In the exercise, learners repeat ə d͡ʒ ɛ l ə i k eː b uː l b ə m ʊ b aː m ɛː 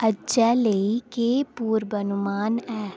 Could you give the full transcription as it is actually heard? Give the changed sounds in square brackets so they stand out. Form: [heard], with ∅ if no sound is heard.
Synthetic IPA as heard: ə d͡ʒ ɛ l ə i k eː [p] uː [ɾ] b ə [n] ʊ [m] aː [n] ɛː